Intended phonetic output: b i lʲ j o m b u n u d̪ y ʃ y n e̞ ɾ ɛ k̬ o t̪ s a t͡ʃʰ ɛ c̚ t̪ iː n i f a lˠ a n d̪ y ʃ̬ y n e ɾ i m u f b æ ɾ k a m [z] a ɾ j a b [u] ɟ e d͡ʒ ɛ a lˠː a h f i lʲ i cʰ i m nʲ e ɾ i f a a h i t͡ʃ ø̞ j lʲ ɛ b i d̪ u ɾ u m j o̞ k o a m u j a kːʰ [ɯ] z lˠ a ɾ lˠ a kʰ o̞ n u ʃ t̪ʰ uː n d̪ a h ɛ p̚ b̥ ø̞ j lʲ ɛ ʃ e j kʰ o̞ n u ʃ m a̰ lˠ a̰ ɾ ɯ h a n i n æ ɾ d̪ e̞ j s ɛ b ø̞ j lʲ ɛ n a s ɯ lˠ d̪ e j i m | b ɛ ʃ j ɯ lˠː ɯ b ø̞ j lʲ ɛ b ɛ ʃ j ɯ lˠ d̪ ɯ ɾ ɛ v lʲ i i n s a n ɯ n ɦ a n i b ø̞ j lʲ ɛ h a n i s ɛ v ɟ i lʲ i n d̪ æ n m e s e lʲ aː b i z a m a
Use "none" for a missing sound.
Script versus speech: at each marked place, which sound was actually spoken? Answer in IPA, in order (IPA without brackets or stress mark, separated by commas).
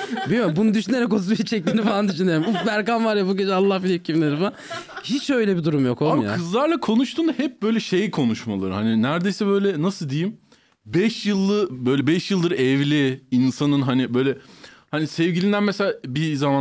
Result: v, u, ɯ